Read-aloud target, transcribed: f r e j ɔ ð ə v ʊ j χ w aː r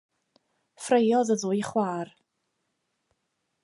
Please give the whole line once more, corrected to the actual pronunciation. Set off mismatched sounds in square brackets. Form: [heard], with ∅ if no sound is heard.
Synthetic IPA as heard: f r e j ɔ ð ə [ð] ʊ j χ w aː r